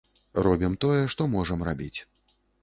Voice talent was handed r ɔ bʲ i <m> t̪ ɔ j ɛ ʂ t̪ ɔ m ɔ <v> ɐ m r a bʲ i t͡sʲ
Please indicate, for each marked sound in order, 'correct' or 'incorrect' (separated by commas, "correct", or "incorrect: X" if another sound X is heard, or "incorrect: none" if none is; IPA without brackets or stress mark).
correct, incorrect: ʐ